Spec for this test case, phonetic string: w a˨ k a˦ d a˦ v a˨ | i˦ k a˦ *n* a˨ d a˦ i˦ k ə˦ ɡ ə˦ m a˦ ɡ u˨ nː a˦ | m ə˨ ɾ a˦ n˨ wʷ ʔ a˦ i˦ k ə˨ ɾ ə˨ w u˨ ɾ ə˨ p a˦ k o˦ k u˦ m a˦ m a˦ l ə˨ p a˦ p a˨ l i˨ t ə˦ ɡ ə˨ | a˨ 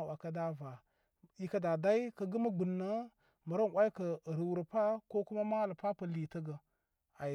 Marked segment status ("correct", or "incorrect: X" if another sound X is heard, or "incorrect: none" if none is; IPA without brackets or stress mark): incorrect: d